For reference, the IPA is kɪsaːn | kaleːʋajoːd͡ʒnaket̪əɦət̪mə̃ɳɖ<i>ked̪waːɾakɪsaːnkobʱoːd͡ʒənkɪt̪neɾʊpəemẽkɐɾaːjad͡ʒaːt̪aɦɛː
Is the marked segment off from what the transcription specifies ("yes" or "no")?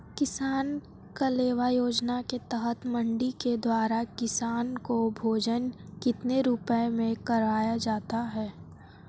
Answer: no